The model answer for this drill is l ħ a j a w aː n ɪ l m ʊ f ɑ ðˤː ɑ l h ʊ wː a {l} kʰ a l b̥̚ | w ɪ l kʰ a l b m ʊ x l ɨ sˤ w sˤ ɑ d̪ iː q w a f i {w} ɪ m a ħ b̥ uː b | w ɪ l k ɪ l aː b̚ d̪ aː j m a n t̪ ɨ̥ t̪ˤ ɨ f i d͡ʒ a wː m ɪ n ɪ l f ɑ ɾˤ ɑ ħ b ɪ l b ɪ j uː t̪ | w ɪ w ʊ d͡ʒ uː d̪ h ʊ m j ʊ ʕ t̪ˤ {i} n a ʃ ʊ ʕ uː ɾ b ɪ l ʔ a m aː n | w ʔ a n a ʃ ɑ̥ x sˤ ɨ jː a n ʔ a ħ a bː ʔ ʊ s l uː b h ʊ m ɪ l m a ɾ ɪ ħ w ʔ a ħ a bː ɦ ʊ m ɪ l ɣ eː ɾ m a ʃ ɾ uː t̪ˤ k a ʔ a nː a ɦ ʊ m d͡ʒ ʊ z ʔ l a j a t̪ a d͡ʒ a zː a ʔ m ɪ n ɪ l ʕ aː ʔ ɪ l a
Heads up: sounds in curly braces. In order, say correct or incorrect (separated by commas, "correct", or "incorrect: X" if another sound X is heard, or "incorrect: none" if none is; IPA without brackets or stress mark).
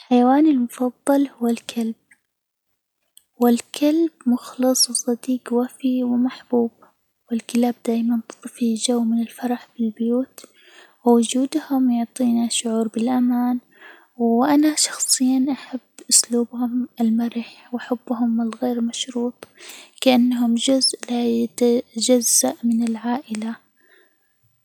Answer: correct, correct, incorrect: iː